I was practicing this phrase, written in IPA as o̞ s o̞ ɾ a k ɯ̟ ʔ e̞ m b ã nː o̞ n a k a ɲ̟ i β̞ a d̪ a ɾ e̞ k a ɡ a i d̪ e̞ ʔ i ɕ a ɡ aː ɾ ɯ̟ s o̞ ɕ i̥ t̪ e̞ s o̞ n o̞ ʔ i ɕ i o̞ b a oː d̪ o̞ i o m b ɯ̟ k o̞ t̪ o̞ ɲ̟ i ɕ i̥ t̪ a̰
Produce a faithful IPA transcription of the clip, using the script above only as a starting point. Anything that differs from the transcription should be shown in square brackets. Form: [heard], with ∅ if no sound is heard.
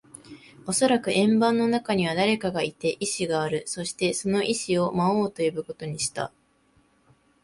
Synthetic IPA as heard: o̞ s o̞ ɾ a k ɯ̟ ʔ [ẽ̞] m b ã nː o̞ n a k a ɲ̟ i β̞ a d̪ a ɾ e̞ k a ɡ a i [t̪] e̞ ʔ i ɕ [i] ɡ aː ɾ ɯ̟ s o̞ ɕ i̥ t̪ e̞ s o̞ n o̞ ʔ i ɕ i o̞ [m] a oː [t̪] o̞ [j] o [∅] b ɯ̟ k o̞ t̪ o̞ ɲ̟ i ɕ i̥ t̪ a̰